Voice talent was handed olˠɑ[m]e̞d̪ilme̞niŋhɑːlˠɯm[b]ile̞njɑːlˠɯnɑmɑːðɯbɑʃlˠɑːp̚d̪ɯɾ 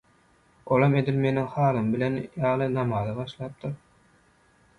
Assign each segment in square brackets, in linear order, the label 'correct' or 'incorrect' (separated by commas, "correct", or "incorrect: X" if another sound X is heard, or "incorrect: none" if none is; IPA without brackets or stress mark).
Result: correct, correct